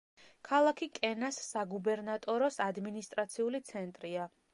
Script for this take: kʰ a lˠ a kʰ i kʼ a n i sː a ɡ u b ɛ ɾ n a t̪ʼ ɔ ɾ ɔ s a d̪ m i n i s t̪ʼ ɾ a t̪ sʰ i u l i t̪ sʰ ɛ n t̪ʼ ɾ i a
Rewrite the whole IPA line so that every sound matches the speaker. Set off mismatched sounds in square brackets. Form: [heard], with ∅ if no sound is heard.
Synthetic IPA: kʰ a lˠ a kʰ i kʼ [ɛ] n [a] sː a ɡ u b ɛ ɾ n a t̪ʼ ɔ ɾ ɔ s a d̪ m i n i s t̪ʼ ɾ a t̪ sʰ i u l i t̪ sʰ ɛ n t̪ʼ ɾ i a